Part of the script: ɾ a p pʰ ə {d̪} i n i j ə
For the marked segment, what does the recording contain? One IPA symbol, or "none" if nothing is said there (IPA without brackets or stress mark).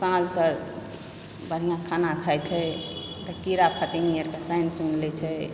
t̪